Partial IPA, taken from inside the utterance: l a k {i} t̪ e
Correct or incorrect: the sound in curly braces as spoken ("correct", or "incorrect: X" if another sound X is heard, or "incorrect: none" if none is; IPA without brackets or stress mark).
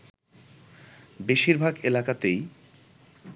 incorrect: a